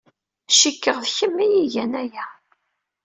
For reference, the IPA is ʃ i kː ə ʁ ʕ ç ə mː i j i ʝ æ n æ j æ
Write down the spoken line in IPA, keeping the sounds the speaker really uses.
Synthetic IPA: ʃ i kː ə ʁ ð ç ə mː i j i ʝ æ n æ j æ